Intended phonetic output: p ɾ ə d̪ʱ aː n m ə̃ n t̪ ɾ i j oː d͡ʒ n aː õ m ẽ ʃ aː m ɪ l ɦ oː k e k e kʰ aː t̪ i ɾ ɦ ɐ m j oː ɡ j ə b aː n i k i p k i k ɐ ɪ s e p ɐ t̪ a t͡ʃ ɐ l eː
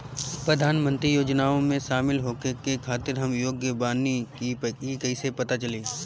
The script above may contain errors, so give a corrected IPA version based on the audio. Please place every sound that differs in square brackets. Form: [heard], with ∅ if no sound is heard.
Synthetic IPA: p ɾ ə d̪ʱ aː n m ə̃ n t̪ ɾ i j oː d͡ʒ n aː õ m ẽ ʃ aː m ɪ l ɦ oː k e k e kʰ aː t̪ [ɪ] ɾ ɦ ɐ m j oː ɡ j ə b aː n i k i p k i k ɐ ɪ s e p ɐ t̪ a t͡ʃ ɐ l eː